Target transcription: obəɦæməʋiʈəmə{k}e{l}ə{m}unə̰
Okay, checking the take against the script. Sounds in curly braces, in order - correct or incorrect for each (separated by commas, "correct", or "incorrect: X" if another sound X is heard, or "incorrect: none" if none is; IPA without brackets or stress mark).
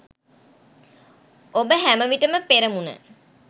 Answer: incorrect: p, incorrect: ɾ, correct